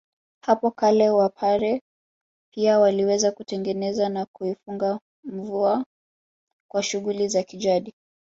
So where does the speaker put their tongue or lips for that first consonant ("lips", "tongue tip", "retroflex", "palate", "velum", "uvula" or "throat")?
throat